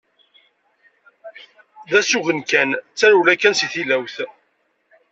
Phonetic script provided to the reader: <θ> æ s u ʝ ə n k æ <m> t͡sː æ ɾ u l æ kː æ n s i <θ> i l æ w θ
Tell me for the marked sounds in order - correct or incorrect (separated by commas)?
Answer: incorrect, incorrect, correct